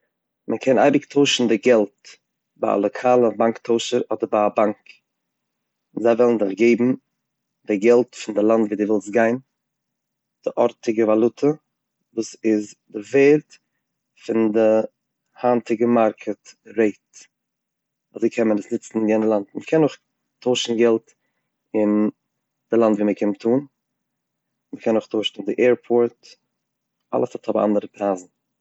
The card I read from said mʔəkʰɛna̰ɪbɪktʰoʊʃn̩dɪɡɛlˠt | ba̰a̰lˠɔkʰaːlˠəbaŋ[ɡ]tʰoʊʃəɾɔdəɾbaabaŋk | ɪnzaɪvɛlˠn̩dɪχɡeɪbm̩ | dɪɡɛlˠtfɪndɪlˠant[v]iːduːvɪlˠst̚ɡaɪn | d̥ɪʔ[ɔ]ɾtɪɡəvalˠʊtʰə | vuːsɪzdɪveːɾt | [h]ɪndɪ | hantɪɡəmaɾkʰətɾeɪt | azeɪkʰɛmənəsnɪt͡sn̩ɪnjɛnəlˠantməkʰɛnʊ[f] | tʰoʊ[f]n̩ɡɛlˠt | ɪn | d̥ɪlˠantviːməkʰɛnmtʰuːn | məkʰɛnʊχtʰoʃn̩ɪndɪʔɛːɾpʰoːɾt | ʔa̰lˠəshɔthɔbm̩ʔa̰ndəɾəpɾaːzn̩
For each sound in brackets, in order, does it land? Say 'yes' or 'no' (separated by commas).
no, yes, yes, no, no, no